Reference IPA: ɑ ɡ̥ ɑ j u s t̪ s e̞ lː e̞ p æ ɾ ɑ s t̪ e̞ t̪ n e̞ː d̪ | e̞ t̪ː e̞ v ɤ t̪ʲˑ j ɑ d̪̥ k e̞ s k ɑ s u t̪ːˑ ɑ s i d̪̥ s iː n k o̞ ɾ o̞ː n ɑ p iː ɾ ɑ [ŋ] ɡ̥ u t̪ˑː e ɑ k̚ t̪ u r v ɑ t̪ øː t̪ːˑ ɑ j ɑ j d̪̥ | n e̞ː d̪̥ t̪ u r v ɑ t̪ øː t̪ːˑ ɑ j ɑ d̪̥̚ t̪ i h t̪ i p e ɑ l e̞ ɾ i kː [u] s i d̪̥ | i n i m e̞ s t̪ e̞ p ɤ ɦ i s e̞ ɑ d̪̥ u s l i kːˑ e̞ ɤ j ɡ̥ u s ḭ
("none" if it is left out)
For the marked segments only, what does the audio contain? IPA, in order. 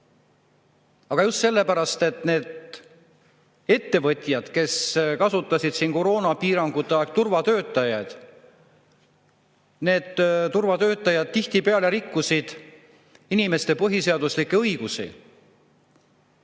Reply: ŋ, u

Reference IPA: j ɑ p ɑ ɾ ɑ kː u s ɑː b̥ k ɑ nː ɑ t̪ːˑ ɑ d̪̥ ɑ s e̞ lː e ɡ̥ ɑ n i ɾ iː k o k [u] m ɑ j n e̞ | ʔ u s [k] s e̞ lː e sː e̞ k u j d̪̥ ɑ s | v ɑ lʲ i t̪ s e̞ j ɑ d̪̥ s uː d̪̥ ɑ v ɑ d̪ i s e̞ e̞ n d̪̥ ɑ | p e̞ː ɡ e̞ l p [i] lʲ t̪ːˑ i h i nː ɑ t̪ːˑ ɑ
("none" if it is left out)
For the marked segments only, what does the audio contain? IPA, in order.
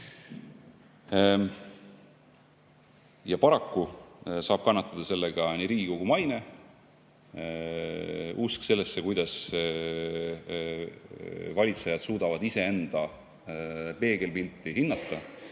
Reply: u, k, i

